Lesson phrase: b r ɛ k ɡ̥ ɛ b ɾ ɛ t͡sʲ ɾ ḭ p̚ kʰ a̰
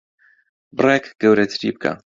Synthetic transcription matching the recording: b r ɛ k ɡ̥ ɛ w ɾ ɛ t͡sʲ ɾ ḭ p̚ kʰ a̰

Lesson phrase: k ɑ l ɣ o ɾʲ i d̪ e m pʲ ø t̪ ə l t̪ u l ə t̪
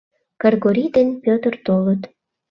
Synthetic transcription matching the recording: k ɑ r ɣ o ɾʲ i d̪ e n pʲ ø t̪ ə r t̪ o l ə t̪

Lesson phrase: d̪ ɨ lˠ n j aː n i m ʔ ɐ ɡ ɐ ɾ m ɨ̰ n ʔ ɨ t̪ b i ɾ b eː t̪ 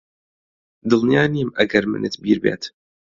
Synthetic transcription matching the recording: d̪ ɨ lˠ n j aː n i m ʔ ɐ ɡ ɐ ɾ m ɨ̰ n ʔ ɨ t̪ b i ɾ b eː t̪

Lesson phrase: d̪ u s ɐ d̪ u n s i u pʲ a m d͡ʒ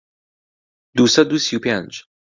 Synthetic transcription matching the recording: d̪ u s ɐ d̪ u s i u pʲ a n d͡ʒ

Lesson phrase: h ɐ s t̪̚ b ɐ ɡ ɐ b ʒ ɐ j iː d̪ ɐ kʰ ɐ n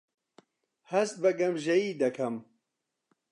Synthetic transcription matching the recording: h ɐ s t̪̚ b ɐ ɡ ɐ m ʒ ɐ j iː d̪ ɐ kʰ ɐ m

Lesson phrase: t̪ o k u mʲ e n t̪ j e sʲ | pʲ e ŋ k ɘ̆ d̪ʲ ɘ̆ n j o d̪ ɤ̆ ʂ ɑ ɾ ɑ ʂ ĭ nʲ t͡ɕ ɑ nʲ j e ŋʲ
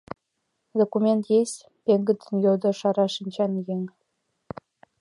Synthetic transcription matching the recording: d̪ o k u mʲ e n t̪ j e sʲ | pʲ e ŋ ɡ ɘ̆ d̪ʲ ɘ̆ n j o d̪ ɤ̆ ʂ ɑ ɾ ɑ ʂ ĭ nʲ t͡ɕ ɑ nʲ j e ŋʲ

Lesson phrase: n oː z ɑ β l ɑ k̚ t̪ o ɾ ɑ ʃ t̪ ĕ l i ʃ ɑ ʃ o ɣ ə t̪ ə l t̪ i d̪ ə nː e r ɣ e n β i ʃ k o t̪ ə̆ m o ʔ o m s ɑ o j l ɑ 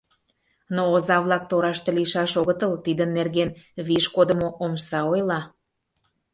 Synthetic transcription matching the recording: n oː z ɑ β l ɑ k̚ t̪ o ɾ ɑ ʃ t̪ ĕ l i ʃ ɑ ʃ o ɣ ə t̪ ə l t̪ i d̪ ə nː e r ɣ e n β i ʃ k o d̪ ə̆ m o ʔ o m s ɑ o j l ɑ

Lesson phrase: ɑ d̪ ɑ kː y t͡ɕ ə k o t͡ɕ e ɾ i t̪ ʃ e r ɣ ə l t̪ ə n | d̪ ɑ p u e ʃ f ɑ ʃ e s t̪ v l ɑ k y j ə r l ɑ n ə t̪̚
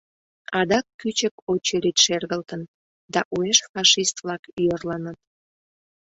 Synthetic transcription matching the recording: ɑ d̪ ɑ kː y t͡ɕ ə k o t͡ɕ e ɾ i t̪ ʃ e r ɣ ə l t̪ ə n | d̪ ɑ ʔ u e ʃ f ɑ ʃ i s t̪ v l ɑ k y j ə r l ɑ n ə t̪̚

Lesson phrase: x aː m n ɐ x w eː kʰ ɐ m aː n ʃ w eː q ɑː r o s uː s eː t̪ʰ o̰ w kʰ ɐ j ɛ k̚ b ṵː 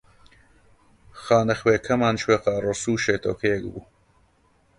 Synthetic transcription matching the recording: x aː n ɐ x w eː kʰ ɐ m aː n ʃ w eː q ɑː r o s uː ʃ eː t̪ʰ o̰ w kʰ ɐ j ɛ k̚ b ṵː

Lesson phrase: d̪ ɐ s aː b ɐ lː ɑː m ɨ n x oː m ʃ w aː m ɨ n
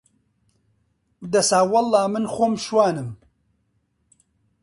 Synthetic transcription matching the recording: d̪ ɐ s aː w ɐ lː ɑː m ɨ n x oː m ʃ w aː n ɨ m

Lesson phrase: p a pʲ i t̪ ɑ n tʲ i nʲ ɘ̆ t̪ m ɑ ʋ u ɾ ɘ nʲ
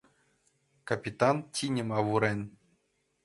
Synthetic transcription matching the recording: k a pʲ i t̪ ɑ n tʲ i nʲ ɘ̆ m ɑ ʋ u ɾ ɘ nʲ

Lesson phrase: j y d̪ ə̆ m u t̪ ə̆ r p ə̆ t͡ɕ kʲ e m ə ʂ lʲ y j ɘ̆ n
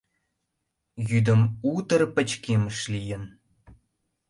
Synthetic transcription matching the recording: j y d̪ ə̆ m u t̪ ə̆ r p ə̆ t͡ɕ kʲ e m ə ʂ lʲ i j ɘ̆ n

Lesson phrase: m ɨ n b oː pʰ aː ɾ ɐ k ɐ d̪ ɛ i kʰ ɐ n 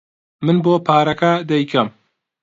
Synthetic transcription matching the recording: m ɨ n b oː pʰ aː ɾ ɐ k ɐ d̪ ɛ j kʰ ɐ m

